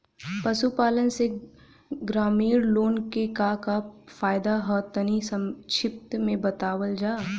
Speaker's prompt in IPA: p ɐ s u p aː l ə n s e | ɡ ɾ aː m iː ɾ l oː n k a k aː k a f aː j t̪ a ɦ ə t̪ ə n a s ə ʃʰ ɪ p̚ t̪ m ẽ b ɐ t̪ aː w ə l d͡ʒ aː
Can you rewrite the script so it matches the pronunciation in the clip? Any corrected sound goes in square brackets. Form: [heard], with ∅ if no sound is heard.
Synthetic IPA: p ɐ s u p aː l ə n s e | ɡ ɾ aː m iː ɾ l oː n k [e] k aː k a f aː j [d̪] a ɦ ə t̪ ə n [i] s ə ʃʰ ɪ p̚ t̪ m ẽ b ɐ t̪ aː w ə l d͡ʒ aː